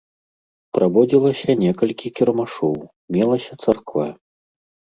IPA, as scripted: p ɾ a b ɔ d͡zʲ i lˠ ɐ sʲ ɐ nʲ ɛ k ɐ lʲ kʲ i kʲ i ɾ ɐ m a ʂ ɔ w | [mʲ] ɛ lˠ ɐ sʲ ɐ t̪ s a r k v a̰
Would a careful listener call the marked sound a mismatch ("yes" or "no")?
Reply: no